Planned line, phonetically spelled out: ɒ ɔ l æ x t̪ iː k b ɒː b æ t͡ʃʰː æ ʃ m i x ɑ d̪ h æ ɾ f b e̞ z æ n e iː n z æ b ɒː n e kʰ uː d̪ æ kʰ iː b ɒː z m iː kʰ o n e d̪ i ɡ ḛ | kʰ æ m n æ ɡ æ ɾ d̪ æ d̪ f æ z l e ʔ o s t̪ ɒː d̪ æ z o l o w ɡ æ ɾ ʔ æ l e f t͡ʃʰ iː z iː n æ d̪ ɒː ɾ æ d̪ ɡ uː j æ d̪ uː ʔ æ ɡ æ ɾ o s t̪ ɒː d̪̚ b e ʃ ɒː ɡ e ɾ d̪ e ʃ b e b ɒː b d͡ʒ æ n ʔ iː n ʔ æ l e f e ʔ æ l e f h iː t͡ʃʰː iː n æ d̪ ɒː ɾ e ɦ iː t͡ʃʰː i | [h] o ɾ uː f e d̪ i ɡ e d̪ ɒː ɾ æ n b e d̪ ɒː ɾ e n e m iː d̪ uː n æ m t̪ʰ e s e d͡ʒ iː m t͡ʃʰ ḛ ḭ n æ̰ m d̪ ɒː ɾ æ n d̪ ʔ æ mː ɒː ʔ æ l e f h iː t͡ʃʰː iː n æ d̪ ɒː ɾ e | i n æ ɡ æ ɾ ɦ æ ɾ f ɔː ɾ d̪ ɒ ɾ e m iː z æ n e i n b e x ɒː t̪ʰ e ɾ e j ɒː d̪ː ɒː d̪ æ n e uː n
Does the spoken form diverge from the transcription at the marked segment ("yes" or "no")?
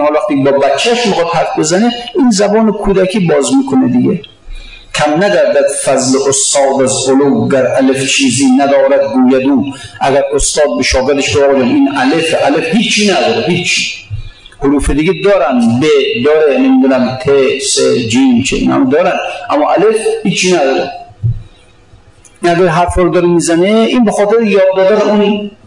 no